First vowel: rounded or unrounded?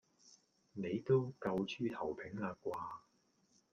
unrounded